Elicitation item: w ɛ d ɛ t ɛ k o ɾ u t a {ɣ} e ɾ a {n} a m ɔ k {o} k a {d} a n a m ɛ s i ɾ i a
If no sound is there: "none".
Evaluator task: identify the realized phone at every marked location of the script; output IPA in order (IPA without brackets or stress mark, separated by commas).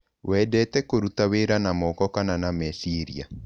w, n, ɔ, n